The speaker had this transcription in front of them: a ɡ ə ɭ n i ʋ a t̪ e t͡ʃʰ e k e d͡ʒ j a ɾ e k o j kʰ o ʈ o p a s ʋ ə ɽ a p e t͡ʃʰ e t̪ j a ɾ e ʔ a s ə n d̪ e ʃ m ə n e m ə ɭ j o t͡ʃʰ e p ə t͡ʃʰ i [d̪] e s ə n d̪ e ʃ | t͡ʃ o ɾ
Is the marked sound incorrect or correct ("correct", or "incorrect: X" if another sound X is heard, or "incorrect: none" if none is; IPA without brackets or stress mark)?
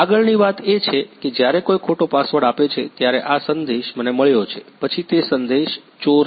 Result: incorrect: t̪